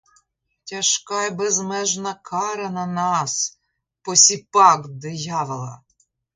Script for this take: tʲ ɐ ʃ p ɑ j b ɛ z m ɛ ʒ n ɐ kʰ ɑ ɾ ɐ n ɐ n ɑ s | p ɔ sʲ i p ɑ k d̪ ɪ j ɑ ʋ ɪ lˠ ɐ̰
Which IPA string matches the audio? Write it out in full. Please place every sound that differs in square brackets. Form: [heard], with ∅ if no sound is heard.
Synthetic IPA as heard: tʲ ɐ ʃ [k] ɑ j b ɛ z m ɛ ʒ n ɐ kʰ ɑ ɾ ɐ n ɐ n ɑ s | p ɔ sʲ i p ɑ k d̪ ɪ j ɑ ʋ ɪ lˠ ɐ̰